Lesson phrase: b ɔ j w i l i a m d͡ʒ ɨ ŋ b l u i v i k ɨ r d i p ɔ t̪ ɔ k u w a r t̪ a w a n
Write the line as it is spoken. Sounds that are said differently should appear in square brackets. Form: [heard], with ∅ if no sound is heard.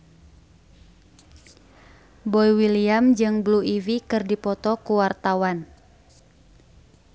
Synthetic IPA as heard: b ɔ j w i l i a m d͡ʒ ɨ ŋ b l u i v i k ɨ r d i p ɔ t̪ ɔ k u w a r t̪ a w a n